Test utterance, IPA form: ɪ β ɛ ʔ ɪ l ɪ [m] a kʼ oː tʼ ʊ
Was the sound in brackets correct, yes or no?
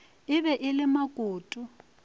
yes